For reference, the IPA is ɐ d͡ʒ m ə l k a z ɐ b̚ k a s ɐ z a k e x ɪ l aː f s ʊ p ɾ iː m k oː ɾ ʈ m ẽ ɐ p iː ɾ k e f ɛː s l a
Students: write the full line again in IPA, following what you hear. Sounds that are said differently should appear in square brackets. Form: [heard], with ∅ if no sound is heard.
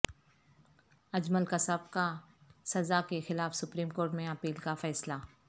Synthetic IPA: ɐ d͡ʒ m ə l k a [s] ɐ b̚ k a s ɐ z a k e x ɪ l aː f s ʊ p ɾ iː m k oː ɾ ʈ m ẽ ɐ p iː [l] k [a] f ɛː s l a